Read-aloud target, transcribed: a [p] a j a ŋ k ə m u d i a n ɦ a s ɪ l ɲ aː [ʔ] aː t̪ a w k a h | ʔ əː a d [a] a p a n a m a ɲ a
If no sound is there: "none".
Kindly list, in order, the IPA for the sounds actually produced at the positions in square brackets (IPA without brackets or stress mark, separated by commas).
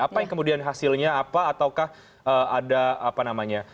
p, p, a